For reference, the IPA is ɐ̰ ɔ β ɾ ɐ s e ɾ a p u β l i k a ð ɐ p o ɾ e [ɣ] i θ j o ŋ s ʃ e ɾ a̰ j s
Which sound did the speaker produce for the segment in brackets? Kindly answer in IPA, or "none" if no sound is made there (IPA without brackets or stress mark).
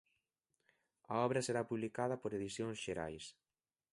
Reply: ð